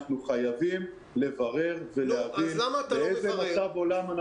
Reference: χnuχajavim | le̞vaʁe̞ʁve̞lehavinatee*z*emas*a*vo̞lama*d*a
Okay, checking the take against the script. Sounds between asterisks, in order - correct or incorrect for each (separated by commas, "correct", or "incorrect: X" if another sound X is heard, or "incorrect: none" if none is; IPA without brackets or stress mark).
correct, correct, incorrect: n